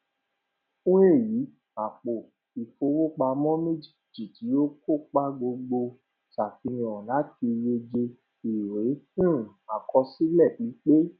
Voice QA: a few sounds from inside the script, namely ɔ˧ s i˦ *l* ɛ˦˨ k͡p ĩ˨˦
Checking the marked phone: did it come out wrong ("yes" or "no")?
no